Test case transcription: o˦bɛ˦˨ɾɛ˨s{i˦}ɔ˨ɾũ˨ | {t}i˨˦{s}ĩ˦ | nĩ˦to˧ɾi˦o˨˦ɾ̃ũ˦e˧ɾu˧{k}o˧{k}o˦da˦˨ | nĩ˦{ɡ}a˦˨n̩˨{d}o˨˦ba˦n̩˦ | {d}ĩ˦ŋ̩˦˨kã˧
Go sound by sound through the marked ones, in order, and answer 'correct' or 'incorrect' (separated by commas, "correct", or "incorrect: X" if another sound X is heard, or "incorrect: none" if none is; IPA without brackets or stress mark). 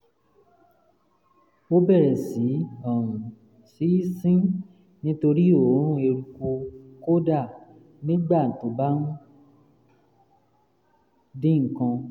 incorrect: i˨˦, incorrect: s, correct, correct, correct, incorrect: ɡ͡b, incorrect: t, correct